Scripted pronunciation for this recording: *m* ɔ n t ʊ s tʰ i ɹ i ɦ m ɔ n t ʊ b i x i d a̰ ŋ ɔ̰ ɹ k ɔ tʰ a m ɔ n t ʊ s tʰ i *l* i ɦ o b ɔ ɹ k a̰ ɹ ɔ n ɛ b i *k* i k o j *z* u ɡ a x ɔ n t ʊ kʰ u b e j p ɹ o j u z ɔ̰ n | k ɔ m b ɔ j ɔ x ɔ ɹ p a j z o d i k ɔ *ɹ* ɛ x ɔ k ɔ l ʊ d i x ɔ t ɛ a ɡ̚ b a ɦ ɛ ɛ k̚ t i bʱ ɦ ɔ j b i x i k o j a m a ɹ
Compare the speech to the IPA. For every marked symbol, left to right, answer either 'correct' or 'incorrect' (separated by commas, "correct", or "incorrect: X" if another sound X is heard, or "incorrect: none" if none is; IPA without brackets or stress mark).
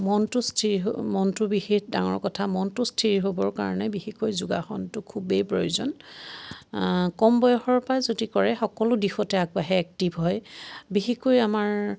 correct, incorrect: ɹ, incorrect: x, correct, correct